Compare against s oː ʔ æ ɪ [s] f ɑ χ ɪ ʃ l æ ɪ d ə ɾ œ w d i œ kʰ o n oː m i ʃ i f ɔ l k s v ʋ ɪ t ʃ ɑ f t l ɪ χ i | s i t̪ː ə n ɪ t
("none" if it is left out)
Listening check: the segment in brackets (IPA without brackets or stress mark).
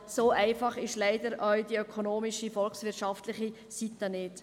none